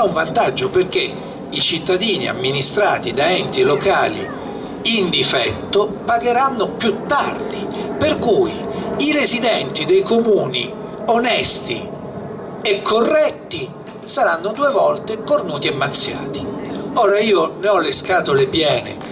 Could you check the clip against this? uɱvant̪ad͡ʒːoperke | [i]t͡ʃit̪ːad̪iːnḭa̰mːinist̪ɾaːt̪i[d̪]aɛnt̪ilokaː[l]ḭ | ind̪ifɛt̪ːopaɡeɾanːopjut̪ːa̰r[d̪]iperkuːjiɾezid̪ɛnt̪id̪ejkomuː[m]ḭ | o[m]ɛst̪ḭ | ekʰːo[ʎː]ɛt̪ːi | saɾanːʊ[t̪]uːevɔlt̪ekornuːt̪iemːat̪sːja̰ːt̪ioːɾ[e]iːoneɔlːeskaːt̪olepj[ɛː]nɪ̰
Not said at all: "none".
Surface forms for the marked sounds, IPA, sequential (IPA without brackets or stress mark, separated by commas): i, d̪, l, d̪, n, n, rː, d̪, a, ɛː